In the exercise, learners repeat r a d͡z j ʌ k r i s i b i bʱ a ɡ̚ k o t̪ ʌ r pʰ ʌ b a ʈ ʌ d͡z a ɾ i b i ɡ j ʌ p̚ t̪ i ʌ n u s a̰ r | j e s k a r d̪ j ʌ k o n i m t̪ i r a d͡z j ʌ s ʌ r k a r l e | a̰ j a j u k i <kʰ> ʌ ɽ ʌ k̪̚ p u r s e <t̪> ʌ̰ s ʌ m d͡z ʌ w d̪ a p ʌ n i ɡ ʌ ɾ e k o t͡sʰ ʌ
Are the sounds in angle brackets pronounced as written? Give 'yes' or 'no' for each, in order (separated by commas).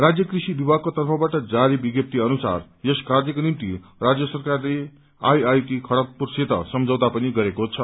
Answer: yes, yes